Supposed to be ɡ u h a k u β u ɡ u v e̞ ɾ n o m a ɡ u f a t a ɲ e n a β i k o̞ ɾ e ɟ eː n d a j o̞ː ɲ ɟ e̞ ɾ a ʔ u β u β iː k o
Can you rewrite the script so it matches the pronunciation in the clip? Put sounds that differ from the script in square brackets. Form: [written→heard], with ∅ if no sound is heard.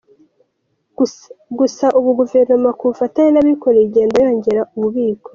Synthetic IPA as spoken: ɡ u [h→s] a [k→ʔ] u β u ɡ u v e̞ ɾ n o m a [ɡ→k] u f a t a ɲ e n a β i k o̞ ɾ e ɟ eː n d a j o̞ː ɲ ɟ e̞ ɾ a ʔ u β u β iː k o